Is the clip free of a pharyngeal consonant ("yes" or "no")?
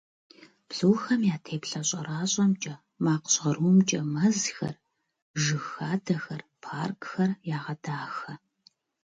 yes